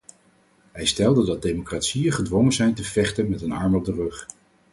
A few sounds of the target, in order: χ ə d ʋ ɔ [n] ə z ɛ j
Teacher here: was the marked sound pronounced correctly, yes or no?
no